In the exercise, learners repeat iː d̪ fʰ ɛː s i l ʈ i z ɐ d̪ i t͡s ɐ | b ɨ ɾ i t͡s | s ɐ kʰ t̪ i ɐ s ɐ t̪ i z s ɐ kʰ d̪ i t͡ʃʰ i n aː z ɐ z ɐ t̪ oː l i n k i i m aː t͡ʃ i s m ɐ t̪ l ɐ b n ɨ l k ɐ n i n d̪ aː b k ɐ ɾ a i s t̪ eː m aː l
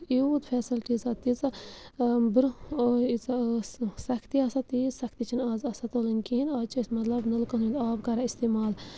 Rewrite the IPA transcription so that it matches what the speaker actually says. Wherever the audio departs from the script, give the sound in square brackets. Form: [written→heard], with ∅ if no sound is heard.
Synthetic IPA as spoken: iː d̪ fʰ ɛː s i l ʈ i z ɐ [d̪→t̪] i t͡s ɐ | b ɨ ɾ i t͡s | s ɐ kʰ t̪ i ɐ s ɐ t̪ i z s ɐ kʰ [d̪→t̪] i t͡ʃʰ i n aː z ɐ [z→s] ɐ t̪ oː l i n k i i [m→n] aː t͡ʃ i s m ɐ t̪ l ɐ b n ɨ l k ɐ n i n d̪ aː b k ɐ ɾ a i s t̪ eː m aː l